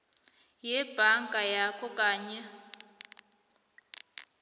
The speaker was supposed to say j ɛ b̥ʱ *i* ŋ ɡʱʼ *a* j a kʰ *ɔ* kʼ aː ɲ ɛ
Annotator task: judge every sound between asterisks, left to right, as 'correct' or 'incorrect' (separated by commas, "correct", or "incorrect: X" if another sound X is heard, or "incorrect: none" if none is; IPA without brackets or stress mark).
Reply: incorrect: a, correct, correct